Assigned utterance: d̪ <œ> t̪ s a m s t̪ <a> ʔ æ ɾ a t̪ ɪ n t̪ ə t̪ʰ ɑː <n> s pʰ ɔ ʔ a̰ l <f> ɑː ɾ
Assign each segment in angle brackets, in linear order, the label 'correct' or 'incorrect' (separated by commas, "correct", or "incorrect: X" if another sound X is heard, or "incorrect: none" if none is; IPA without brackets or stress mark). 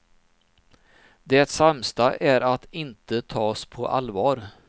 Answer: incorrect: ɛ, correct, incorrect: none, incorrect: v